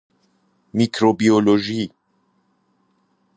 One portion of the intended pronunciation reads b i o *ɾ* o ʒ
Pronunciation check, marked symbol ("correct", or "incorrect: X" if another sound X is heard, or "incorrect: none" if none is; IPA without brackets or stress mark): incorrect: l